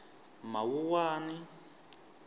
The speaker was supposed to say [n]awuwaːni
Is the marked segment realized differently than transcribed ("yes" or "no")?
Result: yes